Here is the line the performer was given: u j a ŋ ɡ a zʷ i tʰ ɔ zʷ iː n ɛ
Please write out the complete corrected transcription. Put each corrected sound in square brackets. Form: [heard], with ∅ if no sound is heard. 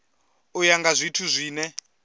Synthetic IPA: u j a ŋ ɡ a zʷ i tʰ [u] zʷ iː n ɛ